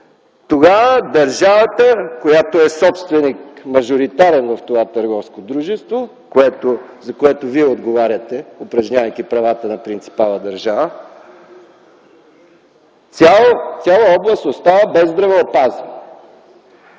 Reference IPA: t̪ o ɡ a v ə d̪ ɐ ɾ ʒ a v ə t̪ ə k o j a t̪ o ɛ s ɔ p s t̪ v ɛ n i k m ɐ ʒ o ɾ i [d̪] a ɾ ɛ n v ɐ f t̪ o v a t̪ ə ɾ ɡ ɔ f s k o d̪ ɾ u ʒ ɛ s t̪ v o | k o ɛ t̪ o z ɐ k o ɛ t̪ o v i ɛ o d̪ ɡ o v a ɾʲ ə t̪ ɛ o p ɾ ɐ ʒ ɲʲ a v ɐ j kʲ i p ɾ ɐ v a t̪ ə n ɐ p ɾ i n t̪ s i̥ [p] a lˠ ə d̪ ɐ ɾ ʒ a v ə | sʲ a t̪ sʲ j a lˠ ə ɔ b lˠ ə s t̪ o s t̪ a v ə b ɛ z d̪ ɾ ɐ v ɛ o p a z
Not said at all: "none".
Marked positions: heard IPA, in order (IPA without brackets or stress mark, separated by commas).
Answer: t̪, p